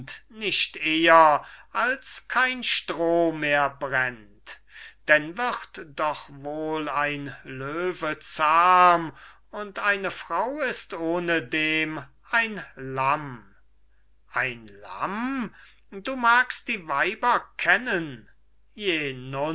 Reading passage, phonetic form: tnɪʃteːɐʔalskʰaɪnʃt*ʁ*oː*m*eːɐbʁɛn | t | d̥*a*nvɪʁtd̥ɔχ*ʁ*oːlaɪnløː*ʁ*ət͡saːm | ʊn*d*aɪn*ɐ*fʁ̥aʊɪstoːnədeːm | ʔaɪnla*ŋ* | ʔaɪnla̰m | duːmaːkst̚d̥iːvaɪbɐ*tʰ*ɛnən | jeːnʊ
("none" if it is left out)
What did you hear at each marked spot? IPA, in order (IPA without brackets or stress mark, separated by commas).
ʁ, m, ɛ, v, v, t, ə, m, kʰ